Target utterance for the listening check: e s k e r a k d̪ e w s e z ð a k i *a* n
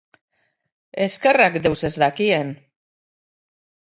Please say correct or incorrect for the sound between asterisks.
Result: incorrect